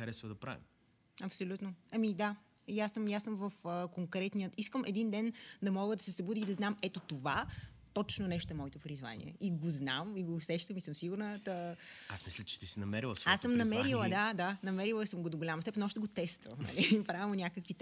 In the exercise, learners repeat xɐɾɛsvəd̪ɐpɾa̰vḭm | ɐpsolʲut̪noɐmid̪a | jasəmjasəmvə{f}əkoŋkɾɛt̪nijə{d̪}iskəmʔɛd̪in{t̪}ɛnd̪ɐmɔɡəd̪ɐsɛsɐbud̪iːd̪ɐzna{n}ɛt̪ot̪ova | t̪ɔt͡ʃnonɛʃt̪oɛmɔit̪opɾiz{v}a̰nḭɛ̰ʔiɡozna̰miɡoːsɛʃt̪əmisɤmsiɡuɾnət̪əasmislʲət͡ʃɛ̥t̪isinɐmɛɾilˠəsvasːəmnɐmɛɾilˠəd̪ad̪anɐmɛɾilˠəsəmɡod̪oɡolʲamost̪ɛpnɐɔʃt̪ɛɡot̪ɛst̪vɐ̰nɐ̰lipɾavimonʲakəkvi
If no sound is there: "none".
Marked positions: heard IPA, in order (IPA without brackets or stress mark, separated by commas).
f, t̪, d̪, m, v